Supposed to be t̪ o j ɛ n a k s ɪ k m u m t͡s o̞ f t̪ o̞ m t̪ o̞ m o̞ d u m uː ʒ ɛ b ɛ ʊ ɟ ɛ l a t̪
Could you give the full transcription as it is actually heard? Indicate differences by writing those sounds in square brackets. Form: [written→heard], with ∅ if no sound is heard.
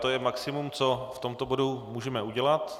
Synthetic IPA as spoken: t̪ o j ɛ [n→m] a k s ɪ [k→∅] m u m t͡s o̞ f t̪ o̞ m t̪ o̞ [m→b] o̞ d u m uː ʒ ɛ [b→m] ɛ [ʊ→u] ɟ ɛ l a t̪